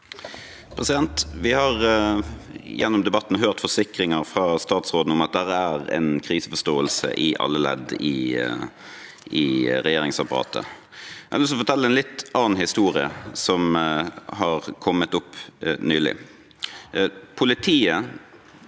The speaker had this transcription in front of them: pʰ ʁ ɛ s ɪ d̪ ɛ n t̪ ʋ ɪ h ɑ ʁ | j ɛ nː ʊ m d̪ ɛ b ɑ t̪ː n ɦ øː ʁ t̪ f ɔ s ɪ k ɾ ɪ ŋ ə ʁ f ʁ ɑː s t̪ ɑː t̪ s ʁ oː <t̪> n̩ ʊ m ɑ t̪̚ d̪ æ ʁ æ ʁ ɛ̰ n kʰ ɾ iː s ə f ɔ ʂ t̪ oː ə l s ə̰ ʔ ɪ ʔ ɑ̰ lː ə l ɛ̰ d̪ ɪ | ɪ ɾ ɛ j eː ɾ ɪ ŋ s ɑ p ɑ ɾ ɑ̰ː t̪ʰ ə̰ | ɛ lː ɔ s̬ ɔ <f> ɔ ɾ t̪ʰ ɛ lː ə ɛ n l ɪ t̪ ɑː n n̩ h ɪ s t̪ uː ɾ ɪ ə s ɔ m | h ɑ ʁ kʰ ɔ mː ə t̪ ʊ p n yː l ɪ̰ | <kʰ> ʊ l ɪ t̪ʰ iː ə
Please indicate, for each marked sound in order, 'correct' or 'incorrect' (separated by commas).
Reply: incorrect, correct, incorrect